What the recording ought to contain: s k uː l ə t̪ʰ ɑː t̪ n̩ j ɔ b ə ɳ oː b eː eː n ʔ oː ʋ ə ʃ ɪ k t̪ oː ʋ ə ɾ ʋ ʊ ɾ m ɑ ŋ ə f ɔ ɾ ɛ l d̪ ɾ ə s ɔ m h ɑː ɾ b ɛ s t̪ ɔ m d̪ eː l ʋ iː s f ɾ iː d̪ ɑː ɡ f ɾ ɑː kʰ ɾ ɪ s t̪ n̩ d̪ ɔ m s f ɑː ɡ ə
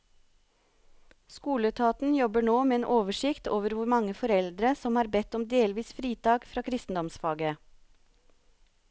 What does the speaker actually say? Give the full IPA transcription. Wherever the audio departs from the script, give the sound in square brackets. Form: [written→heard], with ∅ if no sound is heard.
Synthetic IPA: s k uː l ə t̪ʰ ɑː t̪ n̩ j ɔ b ə ɳ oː [b→m] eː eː n ʔ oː ʋ ə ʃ ɪ k t̪ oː ʋ ə ɾ ʋ ʊ ɾ m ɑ ŋ ə f ɔ ɾ ɛ l d̪ ɾ ə s ɔ m h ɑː ɾ b ɛ [s→∅] t̪ ɔ m d̪ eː l ʋ iː s f ɾ iː [d̪→t̪] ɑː ɡ f ɾ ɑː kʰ ɾ ɪ s t̪ n̩ d̪ ɔ m s f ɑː ɡ ə